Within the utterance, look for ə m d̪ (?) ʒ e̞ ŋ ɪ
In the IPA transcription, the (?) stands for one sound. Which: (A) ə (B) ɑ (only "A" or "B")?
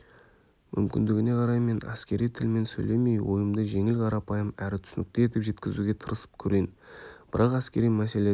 A